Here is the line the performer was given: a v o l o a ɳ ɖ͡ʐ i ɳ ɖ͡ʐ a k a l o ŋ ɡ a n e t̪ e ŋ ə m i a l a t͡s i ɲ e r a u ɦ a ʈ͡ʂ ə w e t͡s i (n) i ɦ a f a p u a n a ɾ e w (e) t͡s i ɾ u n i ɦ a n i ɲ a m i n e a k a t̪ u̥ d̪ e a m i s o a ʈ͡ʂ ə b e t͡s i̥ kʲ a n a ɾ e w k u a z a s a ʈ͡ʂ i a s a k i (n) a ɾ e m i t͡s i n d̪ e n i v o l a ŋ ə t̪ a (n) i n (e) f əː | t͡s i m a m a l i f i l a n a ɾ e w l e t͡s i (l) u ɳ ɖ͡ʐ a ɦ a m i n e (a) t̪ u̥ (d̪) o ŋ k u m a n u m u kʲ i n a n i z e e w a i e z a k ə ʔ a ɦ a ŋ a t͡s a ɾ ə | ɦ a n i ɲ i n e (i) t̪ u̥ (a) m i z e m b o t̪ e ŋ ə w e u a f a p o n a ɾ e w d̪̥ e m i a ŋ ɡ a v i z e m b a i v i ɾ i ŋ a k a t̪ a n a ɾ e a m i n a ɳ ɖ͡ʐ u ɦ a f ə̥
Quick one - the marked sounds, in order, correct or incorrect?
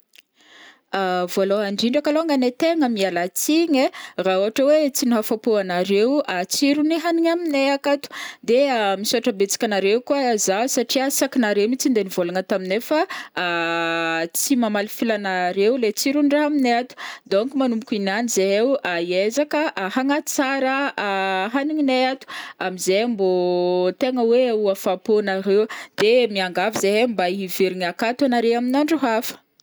correct, incorrect: a, correct, incorrect: m, correct, incorrect: ɾ, correct, correct, incorrect: a, correct

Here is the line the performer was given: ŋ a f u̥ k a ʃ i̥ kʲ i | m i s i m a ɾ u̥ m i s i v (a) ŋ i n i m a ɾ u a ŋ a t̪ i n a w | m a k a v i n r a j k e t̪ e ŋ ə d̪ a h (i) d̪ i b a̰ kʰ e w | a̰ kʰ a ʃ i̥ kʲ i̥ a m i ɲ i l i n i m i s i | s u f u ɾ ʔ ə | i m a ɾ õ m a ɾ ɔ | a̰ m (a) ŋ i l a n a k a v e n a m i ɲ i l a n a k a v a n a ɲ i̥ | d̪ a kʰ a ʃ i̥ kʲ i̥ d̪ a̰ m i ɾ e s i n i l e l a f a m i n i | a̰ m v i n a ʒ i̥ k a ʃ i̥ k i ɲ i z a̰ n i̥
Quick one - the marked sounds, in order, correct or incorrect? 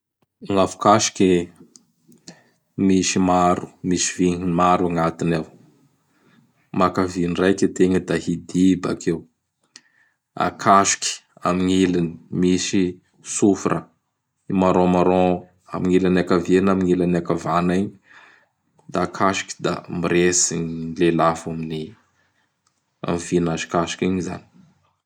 incorrect: i, correct, incorrect: i

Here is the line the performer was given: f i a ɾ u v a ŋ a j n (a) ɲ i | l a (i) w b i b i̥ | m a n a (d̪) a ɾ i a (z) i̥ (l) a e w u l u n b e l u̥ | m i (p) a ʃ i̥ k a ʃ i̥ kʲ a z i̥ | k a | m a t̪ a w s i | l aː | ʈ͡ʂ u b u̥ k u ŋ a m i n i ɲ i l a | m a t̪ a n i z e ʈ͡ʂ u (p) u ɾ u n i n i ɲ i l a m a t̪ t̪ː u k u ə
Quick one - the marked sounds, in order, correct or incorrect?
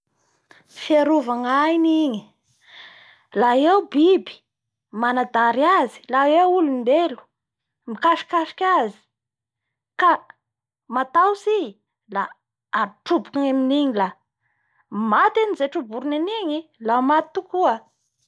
incorrect: i, incorrect: e, correct, correct, correct, incorrect: k, incorrect: b

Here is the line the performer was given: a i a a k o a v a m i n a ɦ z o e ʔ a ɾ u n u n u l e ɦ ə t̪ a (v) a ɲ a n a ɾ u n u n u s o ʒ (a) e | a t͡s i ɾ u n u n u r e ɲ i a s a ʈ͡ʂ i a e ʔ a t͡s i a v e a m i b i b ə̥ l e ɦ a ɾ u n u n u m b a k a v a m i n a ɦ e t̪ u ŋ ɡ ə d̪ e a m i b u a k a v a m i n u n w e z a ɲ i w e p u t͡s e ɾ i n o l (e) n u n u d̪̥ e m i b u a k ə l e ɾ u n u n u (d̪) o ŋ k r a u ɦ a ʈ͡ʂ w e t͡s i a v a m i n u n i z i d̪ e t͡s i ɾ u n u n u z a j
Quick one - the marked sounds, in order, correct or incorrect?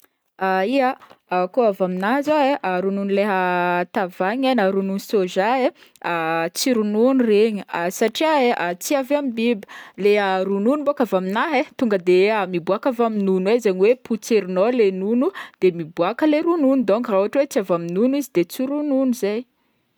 correct, correct, correct, correct

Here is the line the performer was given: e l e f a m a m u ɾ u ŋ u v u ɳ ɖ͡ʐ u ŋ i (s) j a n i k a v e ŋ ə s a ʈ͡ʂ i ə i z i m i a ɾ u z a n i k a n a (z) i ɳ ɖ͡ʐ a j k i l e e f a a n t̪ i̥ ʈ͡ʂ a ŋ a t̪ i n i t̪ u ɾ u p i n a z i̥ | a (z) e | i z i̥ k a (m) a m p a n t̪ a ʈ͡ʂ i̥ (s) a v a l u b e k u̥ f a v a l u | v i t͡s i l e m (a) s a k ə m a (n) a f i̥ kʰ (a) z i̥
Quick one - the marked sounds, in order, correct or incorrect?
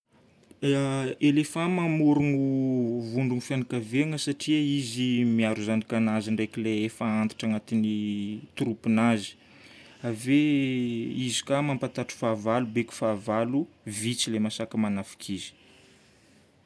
incorrect: f, correct, incorrect: v, correct, incorrect: f, correct, correct, incorrect: i

